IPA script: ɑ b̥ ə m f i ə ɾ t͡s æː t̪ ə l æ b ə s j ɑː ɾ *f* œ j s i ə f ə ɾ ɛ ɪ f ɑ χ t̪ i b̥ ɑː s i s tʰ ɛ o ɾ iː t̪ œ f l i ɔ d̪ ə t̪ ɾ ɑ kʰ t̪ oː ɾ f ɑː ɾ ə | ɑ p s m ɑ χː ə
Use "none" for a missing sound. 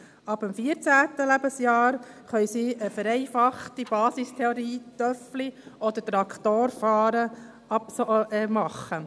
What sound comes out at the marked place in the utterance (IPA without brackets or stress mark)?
χ